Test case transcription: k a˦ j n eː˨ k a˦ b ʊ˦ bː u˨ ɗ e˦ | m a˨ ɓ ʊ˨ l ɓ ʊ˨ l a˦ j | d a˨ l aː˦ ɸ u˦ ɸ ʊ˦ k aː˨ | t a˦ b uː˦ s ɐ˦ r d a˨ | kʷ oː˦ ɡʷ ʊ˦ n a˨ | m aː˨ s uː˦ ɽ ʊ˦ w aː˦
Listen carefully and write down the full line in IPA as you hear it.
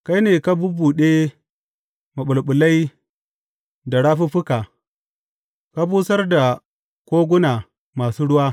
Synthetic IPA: k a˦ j n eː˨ k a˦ b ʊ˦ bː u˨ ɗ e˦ | m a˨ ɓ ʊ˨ l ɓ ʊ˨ l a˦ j | d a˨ ɽ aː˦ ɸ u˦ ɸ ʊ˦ k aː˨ | k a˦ b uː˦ s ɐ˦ r d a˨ | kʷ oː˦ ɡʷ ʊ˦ n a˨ | m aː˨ s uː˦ ɽ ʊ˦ w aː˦